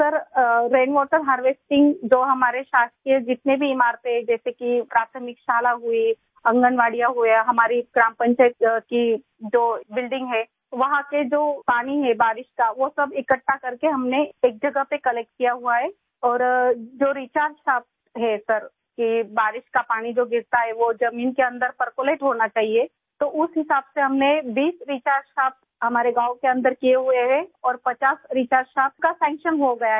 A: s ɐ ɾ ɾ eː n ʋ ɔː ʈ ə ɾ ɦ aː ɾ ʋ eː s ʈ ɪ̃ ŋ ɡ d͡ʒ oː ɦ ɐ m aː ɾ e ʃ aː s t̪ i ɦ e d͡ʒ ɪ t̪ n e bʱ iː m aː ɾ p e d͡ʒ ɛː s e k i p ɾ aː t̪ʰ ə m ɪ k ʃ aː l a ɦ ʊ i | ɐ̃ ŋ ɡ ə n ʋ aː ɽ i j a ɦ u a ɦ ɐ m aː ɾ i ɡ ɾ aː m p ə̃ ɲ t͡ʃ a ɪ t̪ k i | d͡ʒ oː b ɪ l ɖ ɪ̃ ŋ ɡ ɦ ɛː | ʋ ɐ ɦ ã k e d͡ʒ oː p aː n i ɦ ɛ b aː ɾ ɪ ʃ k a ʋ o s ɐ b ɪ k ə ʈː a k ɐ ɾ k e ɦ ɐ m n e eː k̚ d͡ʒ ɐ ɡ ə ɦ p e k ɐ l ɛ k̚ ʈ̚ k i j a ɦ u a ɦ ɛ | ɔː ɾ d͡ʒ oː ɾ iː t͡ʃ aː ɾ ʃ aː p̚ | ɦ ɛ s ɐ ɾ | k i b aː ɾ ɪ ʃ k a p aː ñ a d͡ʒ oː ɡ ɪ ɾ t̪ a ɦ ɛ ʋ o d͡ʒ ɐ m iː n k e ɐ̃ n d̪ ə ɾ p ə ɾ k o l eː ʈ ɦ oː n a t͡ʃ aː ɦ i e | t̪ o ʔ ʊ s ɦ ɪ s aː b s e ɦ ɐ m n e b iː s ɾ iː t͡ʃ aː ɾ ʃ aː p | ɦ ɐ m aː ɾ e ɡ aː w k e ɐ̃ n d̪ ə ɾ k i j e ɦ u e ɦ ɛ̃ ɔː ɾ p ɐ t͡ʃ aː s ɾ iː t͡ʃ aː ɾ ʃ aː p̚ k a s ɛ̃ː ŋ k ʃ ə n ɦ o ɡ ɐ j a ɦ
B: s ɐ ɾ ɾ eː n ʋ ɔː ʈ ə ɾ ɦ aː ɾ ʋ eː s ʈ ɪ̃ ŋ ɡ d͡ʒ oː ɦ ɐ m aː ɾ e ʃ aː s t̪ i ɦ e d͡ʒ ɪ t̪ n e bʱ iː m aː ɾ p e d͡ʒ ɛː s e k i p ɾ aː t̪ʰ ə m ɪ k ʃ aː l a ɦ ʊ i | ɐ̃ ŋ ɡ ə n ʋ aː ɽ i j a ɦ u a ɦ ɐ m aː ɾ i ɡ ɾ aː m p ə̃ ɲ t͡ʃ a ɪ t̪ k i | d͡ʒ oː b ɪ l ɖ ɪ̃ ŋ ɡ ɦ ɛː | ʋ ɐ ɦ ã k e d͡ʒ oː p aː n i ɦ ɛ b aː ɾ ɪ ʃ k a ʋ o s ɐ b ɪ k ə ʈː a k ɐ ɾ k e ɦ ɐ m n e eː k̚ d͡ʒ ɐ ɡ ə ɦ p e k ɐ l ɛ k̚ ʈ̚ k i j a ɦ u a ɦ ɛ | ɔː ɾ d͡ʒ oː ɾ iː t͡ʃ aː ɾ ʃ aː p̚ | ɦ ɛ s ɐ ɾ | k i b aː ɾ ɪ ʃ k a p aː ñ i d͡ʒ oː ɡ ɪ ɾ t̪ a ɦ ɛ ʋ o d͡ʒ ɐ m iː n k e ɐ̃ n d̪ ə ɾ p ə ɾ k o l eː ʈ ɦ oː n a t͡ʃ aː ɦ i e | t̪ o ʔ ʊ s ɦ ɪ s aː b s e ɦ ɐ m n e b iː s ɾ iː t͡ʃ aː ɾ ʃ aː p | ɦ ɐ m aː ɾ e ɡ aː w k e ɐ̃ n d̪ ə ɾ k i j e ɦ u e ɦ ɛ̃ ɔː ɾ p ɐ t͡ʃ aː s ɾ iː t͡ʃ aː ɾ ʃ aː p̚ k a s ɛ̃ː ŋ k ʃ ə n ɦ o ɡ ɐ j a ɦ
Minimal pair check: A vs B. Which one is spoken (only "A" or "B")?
B